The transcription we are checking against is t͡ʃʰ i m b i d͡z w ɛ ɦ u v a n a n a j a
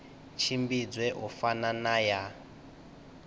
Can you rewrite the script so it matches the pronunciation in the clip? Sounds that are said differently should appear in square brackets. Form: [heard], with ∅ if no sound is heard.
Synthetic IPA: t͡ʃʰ i m b i d͡z w ɛ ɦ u [f] a n a n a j a